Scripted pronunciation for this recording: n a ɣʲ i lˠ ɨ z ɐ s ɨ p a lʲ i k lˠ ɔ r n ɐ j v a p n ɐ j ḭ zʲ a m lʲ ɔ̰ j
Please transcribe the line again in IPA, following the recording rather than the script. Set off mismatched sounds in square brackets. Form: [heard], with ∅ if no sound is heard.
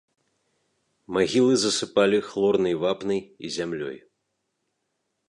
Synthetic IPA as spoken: [m] a ɣʲ i lˠ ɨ z ɐ s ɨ p a lʲ i [x] lˠ ɔ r n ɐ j v a p n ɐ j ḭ zʲ a m lʲ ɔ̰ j